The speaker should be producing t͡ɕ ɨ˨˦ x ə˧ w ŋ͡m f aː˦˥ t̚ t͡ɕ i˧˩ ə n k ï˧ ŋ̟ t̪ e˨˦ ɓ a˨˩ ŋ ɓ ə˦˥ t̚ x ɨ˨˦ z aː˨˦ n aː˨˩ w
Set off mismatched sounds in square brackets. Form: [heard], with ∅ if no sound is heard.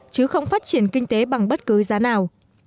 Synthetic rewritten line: t͡ɕ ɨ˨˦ x ə˧ w ŋ͡m f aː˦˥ t̚ t͡ɕ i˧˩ ə n k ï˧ ŋ̟ t̪ e˨˦ ɓ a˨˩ ŋ ɓ ə˦˥ t̚ [k] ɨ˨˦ z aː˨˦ n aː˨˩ w